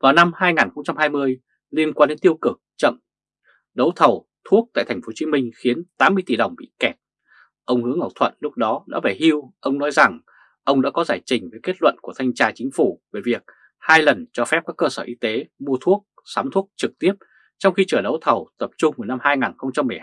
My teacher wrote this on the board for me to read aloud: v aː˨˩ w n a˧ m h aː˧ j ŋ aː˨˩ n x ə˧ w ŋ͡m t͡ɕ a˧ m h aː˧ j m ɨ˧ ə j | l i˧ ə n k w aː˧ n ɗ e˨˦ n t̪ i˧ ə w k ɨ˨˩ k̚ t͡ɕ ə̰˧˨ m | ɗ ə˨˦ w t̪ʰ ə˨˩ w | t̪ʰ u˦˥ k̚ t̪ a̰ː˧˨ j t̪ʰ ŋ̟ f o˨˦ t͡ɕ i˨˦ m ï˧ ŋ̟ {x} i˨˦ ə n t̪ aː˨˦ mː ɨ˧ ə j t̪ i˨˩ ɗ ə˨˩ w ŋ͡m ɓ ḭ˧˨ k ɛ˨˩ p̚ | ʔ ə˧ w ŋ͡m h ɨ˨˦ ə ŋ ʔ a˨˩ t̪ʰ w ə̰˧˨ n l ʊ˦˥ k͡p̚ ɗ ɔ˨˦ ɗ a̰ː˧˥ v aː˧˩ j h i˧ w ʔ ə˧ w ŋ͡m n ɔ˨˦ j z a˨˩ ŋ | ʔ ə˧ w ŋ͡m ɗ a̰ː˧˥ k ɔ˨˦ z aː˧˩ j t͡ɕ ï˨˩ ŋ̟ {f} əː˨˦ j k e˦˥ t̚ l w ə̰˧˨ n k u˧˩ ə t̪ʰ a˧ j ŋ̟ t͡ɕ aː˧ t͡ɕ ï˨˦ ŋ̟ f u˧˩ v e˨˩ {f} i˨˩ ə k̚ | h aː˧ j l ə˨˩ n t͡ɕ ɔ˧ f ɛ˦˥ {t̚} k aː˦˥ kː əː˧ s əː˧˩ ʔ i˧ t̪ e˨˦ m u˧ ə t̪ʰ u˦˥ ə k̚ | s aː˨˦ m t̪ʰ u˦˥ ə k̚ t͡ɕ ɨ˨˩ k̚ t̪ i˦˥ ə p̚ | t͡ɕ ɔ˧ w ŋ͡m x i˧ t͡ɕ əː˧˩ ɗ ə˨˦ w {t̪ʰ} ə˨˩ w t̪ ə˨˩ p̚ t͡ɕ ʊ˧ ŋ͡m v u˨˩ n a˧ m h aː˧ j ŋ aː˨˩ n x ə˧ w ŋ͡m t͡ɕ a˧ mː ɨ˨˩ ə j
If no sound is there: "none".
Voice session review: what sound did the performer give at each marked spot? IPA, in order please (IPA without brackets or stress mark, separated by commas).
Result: x, v, v, p̚, t̪ʰ